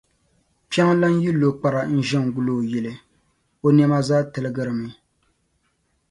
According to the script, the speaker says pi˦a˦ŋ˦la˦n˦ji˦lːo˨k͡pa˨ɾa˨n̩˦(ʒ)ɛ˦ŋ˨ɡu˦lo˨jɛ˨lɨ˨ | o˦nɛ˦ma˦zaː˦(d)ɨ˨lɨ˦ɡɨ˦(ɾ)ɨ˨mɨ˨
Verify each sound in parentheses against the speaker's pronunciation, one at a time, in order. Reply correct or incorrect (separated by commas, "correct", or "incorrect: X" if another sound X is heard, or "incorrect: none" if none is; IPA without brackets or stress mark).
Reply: correct, incorrect: t, correct